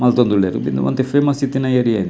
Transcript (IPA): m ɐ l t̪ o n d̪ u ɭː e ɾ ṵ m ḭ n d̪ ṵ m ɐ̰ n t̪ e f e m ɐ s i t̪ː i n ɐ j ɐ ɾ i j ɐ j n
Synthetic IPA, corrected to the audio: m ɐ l t̪ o n d̪ u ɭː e ɾ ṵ b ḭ n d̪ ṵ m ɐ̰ n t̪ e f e m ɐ s i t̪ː i n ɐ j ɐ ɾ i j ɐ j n